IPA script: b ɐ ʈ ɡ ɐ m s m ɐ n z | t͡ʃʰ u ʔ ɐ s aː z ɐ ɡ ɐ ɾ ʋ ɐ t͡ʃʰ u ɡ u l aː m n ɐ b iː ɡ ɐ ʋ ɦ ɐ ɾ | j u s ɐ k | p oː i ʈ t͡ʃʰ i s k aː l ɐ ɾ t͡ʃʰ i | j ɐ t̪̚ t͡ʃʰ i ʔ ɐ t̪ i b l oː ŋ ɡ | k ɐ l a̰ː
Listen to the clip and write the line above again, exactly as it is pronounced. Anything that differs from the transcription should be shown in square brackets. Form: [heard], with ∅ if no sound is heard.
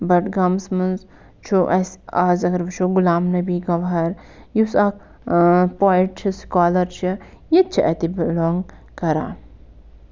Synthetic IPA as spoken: b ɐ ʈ ɡ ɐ m s m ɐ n z | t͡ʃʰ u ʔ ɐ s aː z ɐ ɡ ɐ ɾ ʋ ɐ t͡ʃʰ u ɡ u l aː m n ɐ b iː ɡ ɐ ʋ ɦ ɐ ɾ | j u s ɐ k | p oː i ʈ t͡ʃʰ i s k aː l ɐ ɾ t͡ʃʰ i | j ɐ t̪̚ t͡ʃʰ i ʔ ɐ t̪ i b l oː ŋ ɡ | k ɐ [ɾ] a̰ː

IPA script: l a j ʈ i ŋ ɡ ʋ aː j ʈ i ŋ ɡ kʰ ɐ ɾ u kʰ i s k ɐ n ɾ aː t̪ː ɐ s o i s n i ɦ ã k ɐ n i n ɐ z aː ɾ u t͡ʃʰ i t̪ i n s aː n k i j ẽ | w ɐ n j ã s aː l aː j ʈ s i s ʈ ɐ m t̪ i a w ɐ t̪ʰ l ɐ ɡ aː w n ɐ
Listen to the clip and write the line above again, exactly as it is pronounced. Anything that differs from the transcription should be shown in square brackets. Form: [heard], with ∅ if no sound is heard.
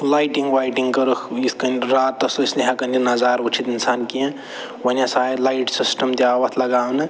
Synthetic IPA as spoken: l a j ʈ i ŋ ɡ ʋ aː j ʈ i ŋ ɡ [k] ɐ ɾ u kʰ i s k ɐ n ɾ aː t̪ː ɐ s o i s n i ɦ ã k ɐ n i n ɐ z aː ɾ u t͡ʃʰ i t̪ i n s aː n k i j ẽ | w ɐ n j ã s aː l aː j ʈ s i s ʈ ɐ m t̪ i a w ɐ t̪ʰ l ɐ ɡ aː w n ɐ

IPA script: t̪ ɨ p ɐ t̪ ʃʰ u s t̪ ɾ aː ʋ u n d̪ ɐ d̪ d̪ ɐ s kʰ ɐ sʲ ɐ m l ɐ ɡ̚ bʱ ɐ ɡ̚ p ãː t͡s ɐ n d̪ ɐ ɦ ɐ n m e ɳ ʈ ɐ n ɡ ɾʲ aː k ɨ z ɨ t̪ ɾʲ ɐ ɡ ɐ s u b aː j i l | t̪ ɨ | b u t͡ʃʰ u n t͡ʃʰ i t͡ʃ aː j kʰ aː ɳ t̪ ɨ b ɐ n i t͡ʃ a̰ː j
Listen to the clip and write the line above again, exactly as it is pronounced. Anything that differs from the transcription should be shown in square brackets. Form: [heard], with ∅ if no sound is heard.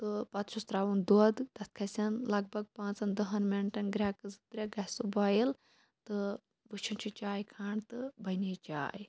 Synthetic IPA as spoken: t̪ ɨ p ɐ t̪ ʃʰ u s t̪ ɾ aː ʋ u n d̪ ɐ d̪ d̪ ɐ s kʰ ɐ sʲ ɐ [n] l ɐ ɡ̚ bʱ ɐ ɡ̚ p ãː t͡s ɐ n d̪ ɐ ɦ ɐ n m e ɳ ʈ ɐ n ɡ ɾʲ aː k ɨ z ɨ t̪ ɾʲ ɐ ɡ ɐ s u b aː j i l | t̪ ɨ | b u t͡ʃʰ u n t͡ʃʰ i t͡ʃ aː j kʰ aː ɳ t̪ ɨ b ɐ n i t͡ʃ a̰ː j

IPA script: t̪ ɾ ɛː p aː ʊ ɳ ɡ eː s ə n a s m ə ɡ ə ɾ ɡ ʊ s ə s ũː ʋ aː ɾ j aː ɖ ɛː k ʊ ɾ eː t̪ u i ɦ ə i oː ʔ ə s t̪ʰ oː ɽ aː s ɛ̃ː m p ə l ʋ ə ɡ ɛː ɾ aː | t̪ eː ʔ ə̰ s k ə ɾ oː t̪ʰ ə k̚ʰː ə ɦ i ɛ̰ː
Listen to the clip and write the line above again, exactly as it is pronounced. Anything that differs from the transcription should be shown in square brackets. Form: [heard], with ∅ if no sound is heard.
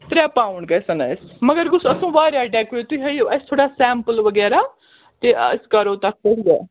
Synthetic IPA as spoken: t̪ ɾ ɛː p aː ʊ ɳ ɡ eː s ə n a s m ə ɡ ə ɾ ɡ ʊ s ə s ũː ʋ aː ɾ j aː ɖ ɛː k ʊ ɾ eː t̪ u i ɦ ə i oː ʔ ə s t̪ʰ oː ɽ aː s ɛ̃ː m p ə l ʋ ə ɡ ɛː ɾ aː | t̪ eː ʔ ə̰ s k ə ɾ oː [t̪] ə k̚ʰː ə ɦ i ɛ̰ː

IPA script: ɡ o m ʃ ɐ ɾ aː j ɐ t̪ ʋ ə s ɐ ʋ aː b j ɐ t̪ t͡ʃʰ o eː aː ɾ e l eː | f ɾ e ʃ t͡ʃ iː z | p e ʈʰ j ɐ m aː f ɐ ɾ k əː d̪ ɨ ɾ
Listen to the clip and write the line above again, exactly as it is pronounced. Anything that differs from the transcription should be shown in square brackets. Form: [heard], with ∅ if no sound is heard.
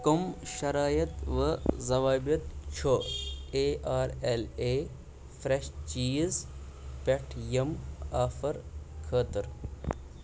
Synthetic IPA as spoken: [k] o m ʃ ɐ ɾ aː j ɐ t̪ ʋ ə [z] ɐ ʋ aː b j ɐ t̪ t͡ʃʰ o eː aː ɾ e l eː | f ɾ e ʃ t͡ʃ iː z | p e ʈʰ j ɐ m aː f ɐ ɾ [kʰ] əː [t̪] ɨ ɾ

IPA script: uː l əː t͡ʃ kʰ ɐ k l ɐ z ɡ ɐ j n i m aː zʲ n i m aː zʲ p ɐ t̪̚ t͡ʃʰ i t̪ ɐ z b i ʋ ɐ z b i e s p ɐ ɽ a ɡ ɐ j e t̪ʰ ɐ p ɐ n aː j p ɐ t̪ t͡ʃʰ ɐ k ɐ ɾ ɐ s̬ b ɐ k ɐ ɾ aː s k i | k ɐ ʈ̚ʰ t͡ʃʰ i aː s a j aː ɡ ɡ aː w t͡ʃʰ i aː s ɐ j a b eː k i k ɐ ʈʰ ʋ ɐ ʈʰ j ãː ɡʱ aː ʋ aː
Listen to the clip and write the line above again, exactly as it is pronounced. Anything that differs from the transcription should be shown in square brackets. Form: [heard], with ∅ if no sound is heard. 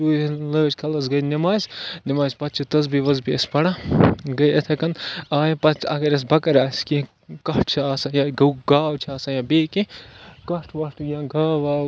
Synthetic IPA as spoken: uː l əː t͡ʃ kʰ ɐ [∅] l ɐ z ɡ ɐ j n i m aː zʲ n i m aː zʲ p ɐ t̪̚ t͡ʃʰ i t̪ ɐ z b i ʋ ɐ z b i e s p ɐ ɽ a ɡ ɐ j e t̪ʰ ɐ [k] ɐ n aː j p ɐ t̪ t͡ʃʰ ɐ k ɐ ɾ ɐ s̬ b ɐ k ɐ ɾ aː s k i | k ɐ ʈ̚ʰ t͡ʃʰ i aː s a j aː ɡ ɡ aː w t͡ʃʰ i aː s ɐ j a b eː k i k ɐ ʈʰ ʋ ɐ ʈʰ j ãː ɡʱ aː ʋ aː

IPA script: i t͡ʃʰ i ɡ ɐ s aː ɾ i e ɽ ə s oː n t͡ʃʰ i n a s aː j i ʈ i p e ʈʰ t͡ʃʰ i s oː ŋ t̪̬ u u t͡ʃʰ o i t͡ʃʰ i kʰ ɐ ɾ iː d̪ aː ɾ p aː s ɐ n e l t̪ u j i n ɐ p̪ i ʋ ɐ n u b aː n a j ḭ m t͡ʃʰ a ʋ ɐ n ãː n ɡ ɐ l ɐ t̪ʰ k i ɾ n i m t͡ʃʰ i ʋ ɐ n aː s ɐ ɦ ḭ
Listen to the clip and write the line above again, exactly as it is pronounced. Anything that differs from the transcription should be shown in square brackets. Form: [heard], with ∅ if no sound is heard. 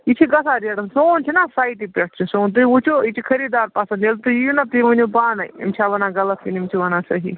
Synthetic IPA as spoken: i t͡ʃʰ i ɡ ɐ s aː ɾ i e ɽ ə s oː n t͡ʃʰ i n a s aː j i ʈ i p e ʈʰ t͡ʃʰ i s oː [n] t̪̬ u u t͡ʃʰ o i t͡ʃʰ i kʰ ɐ ɾ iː d̪ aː ɾ p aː s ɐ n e l t̪ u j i n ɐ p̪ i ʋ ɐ n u b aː n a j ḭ m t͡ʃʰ a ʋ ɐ n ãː [∅] ɡ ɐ l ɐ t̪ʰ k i [∅] n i m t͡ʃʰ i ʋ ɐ n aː s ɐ ɦ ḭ

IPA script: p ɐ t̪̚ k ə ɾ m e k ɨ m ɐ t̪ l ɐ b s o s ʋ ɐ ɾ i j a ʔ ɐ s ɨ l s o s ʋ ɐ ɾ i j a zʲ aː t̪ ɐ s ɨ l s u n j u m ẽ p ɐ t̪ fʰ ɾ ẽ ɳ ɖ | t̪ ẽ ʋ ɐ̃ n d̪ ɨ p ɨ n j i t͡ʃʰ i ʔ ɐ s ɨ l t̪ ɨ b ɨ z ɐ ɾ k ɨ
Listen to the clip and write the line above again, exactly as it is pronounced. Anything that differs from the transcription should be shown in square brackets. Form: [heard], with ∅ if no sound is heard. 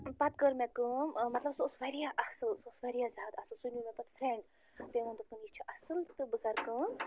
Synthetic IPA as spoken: p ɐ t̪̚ k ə ɾ m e k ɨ m ɐ t̪ l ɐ b s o s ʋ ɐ ɾ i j a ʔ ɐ s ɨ l s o s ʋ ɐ ɾ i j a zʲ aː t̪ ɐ s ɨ l s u n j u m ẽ p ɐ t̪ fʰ ɾ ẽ ɳ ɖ | t̪ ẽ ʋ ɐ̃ n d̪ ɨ p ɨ n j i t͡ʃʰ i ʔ ɐ s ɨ l t̪ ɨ b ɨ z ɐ ɾ k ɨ

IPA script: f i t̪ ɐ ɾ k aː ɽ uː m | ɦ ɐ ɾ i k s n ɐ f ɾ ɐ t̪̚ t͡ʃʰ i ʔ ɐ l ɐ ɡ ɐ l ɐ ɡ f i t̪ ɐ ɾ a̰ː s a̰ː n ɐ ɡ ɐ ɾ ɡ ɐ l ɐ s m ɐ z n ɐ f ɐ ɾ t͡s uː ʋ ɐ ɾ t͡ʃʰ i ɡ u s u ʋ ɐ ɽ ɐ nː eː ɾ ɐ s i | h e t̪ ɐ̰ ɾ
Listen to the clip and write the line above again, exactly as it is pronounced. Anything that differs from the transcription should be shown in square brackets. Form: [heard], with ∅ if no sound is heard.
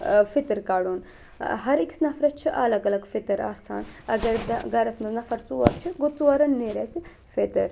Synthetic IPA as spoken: f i t̪ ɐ ɾ k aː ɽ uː [n] | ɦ ɐ ɾ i k s n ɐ f ɾ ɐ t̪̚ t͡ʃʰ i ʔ ɐ l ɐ ɡ ɐ l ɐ ɡ f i t̪ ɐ ɾ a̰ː s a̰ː n ɐ ɡ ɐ ɾ ɡ ɐ [ɾ] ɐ s m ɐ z n ɐ f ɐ ɾ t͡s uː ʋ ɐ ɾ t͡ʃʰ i ɡ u [t͡s] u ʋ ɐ [ɾ] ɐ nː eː ɾ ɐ s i | [f] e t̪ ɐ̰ ɾ

